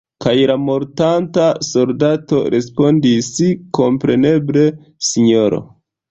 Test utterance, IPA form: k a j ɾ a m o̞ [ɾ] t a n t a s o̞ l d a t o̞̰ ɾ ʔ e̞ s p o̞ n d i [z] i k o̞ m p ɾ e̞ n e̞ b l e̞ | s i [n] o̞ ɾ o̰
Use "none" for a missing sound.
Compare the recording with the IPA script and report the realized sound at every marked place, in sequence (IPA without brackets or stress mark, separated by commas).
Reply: ɾ, s, ɲ